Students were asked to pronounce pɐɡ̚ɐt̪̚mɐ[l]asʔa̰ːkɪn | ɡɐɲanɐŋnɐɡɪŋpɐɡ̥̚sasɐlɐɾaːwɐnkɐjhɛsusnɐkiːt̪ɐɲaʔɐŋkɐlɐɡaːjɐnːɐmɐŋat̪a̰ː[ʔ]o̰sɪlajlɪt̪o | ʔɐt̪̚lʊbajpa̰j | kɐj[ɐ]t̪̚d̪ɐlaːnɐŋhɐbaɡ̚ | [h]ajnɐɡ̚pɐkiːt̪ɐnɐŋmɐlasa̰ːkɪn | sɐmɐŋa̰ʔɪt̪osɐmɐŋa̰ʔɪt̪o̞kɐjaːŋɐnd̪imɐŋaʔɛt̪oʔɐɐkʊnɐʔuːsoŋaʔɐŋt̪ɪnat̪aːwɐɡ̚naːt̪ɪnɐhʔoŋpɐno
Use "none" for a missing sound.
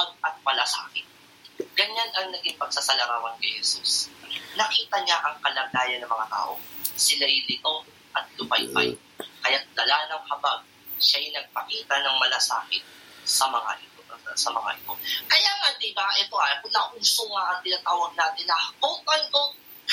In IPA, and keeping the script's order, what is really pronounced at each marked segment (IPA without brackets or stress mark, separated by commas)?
l, ʔ, a, ʃ